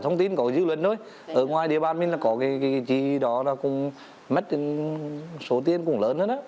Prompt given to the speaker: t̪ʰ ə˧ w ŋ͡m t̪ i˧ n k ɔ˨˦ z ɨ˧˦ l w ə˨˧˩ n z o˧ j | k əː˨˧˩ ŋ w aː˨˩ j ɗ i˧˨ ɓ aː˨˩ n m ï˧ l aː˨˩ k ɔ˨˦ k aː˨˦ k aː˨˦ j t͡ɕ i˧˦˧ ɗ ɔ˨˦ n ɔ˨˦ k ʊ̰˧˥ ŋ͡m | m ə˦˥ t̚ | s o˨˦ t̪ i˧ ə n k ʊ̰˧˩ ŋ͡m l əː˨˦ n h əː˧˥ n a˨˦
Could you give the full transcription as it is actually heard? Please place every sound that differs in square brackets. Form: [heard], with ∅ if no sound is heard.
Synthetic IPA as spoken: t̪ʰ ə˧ w ŋ͡m t̪ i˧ n k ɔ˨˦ z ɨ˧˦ l w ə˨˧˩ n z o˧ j | [ʔ] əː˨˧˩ ŋ w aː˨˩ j ɗ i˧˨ ɓ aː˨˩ n m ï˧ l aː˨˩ k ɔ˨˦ k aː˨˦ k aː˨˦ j t͡ɕ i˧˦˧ ɗ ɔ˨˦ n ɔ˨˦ k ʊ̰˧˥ ŋ͡m | m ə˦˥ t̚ | s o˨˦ t̪ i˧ ə n k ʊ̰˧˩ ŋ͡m l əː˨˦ n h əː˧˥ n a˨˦